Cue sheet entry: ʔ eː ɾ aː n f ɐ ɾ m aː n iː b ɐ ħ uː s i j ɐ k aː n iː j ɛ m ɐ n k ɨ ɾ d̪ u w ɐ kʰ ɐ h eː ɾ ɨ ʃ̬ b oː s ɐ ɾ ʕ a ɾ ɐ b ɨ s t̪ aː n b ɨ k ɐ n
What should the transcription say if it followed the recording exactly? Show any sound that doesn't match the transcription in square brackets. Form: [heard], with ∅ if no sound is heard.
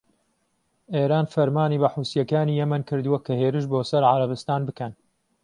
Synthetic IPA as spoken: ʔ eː ɾ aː n f ɐ ɾ m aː n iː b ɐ ħ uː s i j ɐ k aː n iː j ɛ m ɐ n k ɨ ɾ d̪ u w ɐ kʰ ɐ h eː ɾ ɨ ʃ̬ b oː s ɐ ɾ ʕ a ɾ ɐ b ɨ s t̪ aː n b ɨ k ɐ n